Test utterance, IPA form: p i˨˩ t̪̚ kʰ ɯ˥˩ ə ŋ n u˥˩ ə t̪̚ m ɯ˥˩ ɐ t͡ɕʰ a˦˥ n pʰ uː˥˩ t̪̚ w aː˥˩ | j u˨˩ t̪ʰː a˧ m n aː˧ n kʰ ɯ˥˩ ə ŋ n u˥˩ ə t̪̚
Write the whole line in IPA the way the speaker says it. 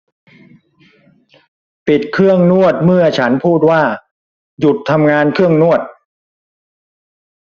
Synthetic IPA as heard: p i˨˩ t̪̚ kʰ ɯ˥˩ ə ŋ n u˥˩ ə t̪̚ m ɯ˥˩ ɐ t͡ɕʰ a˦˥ n pʰ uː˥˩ t̪̚ w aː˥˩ | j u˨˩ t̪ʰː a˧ m ŋ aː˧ n kʰ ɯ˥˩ ə ŋ n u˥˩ ə t̪̚